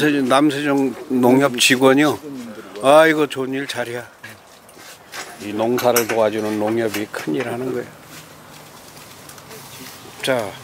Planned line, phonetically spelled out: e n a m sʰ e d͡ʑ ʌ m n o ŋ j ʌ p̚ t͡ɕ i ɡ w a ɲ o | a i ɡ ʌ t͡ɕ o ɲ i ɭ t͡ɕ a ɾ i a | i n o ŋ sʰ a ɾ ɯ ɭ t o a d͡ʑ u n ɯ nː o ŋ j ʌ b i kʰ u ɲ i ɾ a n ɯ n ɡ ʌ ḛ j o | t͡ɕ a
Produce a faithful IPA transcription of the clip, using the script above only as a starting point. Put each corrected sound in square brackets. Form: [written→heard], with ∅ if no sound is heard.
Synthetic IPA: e n a m sʰ e d͡ʑ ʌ [m→ŋ] n o ŋ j ʌ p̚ t͡ɕ i ɡ w [a→ʌ] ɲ o | a i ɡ ʌ t͡ɕ o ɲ i ɭ t͡ɕ a ɾ i a | i n o ŋ sʰ a ɾ ɯ ɭ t o a d͡ʑ u n ɯ nː o ŋ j ʌ b i kʰ [u→ɯ] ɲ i ɾ a n ɯ n ɡ ʌ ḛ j o | t͡ɕ a